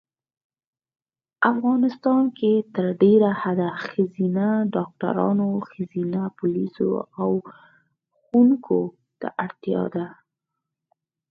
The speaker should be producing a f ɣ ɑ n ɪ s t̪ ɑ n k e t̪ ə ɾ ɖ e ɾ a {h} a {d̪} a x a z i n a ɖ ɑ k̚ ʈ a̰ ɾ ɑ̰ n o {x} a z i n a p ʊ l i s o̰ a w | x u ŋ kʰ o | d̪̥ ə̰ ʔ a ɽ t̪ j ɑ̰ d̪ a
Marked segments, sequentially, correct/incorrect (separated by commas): correct, correct, correct